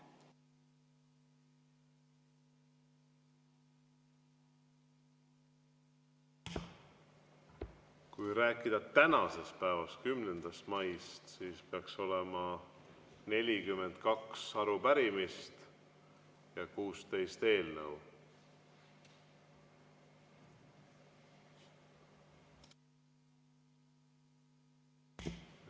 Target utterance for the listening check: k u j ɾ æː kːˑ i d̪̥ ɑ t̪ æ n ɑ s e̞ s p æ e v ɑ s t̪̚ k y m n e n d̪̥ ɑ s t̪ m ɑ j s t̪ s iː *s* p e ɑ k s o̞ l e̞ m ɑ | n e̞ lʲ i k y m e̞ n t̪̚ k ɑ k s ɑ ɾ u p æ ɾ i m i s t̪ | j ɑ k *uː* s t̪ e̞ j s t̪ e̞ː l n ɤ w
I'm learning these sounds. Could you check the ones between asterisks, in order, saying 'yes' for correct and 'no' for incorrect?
yes, yes

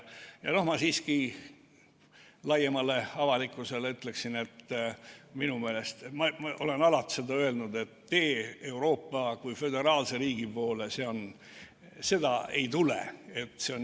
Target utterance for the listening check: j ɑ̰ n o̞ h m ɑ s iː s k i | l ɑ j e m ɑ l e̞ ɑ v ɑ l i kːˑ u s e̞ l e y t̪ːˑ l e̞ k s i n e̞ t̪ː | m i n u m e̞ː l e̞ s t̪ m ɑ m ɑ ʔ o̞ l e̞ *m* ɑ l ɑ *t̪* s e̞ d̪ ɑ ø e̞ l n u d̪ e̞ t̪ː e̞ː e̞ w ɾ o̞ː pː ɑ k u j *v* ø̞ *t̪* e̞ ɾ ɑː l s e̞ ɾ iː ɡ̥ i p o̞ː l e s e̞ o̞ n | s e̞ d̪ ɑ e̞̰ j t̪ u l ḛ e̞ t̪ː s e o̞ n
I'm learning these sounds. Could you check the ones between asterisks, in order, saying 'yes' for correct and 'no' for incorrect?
no, yes, no, no

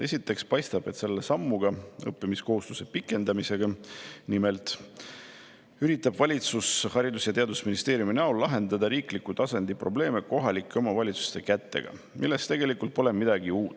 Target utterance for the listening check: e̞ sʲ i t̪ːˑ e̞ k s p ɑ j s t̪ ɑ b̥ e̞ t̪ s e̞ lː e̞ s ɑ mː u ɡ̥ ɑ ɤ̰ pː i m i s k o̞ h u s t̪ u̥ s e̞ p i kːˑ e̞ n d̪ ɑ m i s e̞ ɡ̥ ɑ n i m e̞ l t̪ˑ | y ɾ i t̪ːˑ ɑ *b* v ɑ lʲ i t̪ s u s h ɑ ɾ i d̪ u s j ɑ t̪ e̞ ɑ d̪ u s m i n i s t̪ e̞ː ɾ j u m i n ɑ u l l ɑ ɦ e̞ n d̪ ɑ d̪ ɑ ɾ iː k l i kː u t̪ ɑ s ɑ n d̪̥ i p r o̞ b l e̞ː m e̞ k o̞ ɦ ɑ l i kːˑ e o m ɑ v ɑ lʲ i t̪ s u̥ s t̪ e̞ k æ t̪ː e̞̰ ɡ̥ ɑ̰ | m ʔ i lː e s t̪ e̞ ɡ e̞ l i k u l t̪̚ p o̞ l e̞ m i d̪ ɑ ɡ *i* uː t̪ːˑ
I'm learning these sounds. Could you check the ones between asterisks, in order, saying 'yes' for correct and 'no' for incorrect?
yes, yes

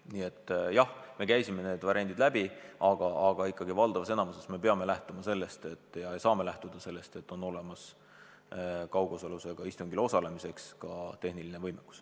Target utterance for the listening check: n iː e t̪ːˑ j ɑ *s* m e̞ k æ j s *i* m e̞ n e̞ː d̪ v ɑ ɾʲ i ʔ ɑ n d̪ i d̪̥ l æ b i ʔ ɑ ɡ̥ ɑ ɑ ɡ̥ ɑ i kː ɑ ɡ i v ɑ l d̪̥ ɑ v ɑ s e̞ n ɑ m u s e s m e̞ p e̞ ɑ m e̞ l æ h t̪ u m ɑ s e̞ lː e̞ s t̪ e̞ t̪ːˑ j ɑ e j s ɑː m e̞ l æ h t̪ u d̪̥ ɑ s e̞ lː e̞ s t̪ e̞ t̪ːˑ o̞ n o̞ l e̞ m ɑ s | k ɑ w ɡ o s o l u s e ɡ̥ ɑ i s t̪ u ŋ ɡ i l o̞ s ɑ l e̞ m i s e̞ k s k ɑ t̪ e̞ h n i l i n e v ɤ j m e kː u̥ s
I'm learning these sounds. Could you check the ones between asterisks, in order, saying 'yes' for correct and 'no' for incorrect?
no, yes

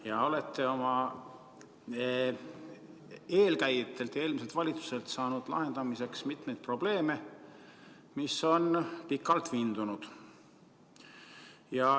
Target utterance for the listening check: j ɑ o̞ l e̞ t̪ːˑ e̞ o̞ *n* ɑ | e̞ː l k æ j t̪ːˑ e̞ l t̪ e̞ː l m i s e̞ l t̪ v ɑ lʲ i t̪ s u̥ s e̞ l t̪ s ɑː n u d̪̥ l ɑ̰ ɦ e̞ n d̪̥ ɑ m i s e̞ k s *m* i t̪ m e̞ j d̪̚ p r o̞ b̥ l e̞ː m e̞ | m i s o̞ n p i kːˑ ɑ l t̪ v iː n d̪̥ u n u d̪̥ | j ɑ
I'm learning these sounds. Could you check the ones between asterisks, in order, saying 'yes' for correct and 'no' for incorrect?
no, yes

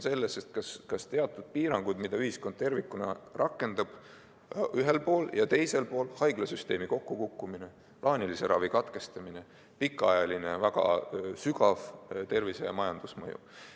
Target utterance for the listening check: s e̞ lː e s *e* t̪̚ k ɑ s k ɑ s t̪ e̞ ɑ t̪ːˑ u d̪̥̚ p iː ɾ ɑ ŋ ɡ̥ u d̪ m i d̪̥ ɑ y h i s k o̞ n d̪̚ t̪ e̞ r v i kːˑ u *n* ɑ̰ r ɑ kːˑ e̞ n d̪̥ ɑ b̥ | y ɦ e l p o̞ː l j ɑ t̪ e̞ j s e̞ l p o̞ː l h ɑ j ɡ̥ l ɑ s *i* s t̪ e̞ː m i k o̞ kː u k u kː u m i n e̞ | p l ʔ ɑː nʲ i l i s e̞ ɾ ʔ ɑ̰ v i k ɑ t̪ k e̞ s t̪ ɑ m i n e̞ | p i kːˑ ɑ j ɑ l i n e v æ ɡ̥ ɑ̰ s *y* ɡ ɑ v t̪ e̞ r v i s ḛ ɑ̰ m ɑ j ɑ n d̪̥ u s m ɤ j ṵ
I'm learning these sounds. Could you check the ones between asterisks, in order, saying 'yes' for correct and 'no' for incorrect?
yes, yes, no, yes

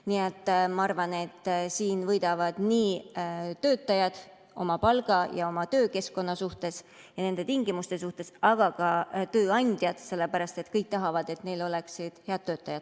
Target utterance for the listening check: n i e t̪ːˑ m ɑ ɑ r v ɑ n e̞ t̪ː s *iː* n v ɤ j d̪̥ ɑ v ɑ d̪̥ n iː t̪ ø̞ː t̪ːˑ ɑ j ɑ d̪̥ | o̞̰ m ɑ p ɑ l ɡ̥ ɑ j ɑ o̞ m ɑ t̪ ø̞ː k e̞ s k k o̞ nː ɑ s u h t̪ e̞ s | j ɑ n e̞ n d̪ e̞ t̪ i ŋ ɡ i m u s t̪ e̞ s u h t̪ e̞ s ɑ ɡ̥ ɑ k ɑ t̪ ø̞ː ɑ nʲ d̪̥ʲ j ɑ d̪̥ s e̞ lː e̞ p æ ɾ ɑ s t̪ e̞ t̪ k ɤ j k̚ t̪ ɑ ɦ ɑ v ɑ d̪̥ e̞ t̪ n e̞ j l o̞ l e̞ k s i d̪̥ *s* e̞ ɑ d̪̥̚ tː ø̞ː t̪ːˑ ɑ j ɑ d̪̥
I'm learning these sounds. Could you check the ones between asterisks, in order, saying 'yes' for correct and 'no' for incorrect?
yes, no

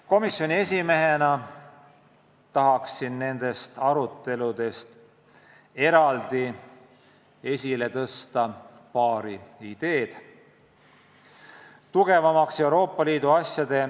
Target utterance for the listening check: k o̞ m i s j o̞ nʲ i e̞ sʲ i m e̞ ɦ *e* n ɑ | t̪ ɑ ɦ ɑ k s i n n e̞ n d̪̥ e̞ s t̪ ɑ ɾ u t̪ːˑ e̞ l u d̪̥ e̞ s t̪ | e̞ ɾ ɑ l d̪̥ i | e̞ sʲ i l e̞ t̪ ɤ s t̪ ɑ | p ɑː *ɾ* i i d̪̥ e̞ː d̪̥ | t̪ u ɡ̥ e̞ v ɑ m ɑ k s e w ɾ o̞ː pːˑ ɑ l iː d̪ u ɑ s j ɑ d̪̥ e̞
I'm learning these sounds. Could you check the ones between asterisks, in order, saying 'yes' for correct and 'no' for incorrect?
yes, yes

